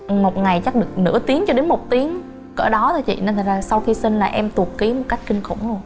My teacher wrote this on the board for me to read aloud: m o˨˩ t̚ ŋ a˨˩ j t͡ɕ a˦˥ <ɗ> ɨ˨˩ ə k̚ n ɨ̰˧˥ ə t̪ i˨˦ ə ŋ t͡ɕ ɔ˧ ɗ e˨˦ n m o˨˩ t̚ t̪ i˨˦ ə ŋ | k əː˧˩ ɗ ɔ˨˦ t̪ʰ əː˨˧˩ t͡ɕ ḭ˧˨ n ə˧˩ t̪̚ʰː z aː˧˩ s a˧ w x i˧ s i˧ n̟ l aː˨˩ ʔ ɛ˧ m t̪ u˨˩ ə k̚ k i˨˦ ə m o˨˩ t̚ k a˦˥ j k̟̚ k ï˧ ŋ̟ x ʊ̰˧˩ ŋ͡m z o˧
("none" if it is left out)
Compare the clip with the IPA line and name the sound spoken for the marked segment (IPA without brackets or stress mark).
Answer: ɗ